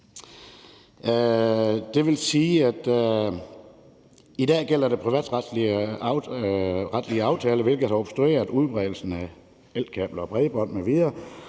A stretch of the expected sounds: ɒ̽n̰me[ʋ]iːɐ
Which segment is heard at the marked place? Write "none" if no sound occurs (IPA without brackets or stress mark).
ʋ